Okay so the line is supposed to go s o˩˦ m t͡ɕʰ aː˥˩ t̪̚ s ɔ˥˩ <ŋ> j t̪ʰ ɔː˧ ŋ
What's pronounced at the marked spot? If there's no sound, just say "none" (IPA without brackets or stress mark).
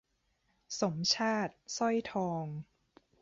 none